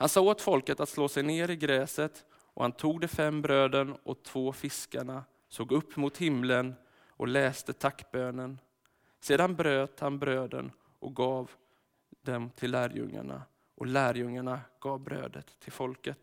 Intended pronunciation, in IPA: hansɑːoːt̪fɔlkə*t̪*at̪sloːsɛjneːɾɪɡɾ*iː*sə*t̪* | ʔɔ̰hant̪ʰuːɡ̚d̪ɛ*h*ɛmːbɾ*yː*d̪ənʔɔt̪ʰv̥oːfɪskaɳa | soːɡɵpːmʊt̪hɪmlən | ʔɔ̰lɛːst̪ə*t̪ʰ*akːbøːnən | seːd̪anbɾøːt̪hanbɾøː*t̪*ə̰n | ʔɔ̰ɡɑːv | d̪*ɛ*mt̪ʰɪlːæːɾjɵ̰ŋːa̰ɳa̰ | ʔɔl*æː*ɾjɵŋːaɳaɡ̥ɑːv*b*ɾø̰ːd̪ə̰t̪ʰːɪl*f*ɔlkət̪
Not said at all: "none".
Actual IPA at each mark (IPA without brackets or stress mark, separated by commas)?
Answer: t̪, ɛː, t̪, f, øː, t̪ʰ, d̪, ɛ, æː, b, f